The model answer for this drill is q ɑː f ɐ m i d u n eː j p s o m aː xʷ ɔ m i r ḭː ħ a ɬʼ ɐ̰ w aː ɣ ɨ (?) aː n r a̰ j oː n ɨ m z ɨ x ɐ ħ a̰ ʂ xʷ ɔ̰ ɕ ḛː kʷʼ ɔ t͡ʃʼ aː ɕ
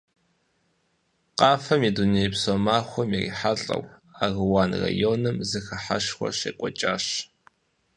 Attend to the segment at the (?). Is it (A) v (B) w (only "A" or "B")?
B